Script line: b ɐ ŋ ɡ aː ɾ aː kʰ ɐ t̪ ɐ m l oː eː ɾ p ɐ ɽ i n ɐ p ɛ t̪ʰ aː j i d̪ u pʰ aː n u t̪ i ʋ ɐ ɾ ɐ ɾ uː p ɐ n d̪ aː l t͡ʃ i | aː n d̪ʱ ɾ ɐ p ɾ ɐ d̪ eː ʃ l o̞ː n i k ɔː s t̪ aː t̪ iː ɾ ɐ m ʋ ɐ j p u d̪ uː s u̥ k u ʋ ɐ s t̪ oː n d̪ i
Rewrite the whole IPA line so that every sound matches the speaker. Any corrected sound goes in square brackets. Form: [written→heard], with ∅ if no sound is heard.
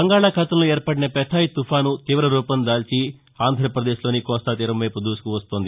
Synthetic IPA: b ɐ ŋ ɡ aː [ɾ→ɭ] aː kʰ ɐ t̪ ɐ m l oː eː ɾ p ɐ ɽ i n ɐ p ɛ t̪ʰ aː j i [d̪→t̪] u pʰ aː n u t̪ [i→iː] ʋ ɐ ɾ ɐ ɾ uː p ɐ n d̪ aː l t͡ʃ i | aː n d̪ʱ ɾ ɐ p ɾ ɐ d̪ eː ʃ l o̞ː n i k ɔː s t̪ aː t̪ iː ɾ ɐ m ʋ ɐ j p u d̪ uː s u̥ k u ʋ ɐ s t̪ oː n d̪ i